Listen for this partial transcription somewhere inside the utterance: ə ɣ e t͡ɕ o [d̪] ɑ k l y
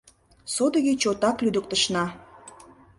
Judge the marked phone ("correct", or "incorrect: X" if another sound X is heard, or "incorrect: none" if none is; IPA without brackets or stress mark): incorrect: t̪